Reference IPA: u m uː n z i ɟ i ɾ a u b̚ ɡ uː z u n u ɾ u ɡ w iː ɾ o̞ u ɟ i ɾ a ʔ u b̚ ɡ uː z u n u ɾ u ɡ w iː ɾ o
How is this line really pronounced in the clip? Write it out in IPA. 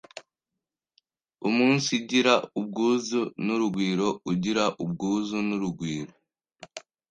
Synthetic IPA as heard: u m uː n s i ɟ i ɾ a u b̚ ɡ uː z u n u ɾ u ɡ w iː ɾ o̞ u ɟ i ɾ a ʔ u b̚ ɡ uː z u n u ɾ u ɡ w iː ɾ o